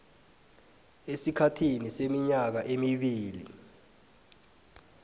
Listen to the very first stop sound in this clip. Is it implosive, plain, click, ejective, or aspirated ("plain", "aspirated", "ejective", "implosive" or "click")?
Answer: aspirated